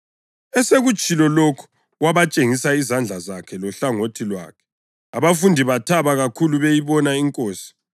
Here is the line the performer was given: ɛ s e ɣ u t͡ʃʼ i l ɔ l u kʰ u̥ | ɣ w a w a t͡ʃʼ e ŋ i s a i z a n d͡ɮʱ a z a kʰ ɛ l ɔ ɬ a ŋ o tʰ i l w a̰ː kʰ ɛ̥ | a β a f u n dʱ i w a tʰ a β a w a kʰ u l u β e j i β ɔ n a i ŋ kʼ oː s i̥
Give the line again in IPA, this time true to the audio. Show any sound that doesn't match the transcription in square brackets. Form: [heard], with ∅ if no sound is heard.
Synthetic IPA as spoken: ɛ s e ɣ u t͡ʃʼ i l ɔ l [o] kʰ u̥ | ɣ w a [β] a t͡ʃʼ e ŋ i s a i z a n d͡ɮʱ a z a kʰ ɛ l ɔ ɬ a ŋ o tʰ i l w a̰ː kʰ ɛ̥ | a β a f u n dʱ i [β] a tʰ a β a [ɣ] a kʰ u l u β e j i β ɔ n a i ŋ kʼ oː s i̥